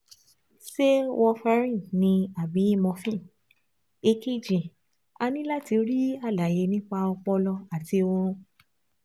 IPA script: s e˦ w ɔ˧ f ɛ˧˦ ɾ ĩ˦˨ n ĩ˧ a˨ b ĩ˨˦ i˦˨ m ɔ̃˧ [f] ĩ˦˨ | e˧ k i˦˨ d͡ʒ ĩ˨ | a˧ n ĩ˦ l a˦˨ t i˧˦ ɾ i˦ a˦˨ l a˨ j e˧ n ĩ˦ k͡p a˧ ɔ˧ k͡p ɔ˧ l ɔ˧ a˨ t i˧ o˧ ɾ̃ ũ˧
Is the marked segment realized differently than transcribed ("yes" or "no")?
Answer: no